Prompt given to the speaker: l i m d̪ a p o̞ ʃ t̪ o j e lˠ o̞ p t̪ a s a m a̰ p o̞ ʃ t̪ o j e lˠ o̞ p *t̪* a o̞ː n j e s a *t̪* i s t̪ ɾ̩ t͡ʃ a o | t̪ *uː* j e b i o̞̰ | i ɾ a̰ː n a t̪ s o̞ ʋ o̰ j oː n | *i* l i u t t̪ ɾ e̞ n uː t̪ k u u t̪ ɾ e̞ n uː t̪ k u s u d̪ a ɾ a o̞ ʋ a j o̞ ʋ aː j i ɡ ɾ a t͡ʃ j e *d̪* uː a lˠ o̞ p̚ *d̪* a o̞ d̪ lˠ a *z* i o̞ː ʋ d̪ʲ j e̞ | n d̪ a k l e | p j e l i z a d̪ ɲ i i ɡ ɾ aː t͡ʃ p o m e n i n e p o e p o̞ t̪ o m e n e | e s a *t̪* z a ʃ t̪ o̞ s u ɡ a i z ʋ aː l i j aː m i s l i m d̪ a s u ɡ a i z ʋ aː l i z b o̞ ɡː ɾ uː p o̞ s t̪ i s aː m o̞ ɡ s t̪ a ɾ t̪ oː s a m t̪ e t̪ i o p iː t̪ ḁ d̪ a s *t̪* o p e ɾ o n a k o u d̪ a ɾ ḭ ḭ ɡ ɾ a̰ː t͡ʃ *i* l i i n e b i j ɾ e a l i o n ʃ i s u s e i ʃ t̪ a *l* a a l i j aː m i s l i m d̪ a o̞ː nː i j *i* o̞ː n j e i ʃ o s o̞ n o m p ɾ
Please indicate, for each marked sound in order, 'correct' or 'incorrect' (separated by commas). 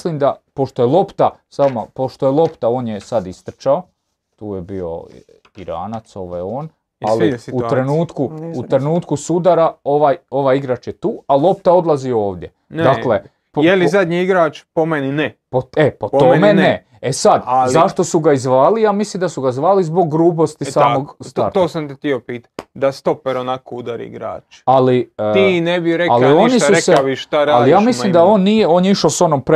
correct, incorrect, correct, incorrect, incorrect, incorrect, correct, incorrect, correct, incorrect, incorrect, incorrect